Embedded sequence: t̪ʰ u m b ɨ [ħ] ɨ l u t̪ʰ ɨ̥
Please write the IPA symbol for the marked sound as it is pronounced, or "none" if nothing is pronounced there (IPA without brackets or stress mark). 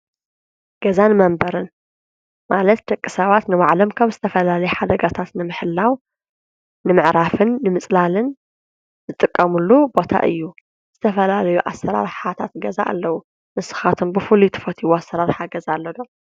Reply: f